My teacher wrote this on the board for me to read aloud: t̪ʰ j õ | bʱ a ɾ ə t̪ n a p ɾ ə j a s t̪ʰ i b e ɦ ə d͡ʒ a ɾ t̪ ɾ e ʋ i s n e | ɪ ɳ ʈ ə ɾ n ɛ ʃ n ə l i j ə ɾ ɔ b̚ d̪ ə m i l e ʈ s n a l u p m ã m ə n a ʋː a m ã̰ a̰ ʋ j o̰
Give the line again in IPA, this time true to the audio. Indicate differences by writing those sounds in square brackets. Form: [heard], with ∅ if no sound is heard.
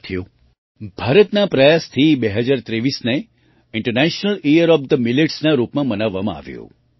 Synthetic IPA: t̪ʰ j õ | bʱ a ɾ ə t̪ n a p ɾ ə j a s t̪ʰ i b e ɦ ə d͡ʒ a ɾ t̪ ɾ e ʋ i s n e | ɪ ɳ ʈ ə ɾ n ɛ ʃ n ə l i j ə ɾ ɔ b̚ d̪ ə m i l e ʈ s n a [ɾ] u p m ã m ə n a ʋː a m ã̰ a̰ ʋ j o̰

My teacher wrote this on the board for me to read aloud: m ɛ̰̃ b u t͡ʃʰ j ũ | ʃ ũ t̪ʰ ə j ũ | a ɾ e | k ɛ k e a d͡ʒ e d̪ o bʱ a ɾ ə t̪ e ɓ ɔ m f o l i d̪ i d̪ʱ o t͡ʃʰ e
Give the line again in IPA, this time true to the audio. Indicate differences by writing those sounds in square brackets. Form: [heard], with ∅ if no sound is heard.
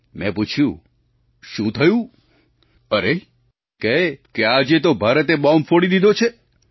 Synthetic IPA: m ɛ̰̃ [p] u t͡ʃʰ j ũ | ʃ ũ t̪ʰ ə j ũ | [ə] ɾ e | k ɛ k e a d͡ʒ e [t̪] o bʱ a ɾ ə t̪ e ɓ ɔ m f o [ɽ] i d̪ i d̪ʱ o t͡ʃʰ e

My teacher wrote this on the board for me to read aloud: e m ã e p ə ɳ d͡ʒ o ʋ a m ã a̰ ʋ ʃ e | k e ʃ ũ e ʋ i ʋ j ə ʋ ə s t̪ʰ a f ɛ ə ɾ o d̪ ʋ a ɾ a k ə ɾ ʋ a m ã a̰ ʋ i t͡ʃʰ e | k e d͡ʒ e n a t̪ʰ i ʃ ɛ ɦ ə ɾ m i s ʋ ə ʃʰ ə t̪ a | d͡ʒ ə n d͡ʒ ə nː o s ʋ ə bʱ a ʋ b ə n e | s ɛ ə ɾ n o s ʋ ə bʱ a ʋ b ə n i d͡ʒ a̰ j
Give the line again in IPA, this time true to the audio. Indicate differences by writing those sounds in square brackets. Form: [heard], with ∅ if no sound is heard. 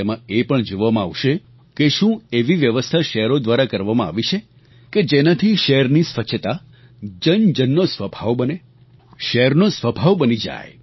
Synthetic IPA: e m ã e p ə ɳ d͡ʒ o ʋ a m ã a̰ ʋ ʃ e | k e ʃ ũ e ʋ i ʋ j ə ʋ ə s t̪ʰ a [ʃ] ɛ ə ɾ o d̪ ʋ a ɾ a k ə ɾ ʋ a m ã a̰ ʋ i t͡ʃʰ e | k e d͡ʒ e n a t̪ʰ i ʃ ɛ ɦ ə ɾ [n] i s ʋ ə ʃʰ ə t̪ a | d͡ʒ ə n d͡ʒ ə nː o s ʋ ə bʱ a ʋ b ə n e | [ʃ] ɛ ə ɾ n o s ʋ ə bʱ a ʋ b ə n i d͡ʒ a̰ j

